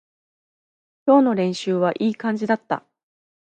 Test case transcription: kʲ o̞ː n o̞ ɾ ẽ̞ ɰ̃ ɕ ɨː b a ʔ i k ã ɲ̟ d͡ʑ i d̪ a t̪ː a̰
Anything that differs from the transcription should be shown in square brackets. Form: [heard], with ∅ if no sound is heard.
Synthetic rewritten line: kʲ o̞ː n o̞ ɾ ẽ̞ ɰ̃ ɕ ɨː [β] a ʔ [iː] k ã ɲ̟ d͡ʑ i d̪ a t̪ː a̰